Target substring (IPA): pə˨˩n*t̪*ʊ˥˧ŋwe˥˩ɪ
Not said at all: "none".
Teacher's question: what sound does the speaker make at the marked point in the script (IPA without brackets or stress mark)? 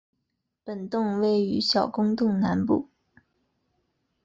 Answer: t̪